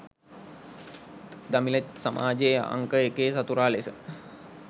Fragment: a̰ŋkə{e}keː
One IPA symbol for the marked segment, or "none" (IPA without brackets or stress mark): e